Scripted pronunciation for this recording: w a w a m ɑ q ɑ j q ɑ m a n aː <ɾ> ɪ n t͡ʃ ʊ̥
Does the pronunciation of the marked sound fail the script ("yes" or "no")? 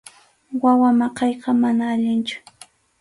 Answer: yes